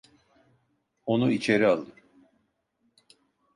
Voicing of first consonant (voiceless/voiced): voiced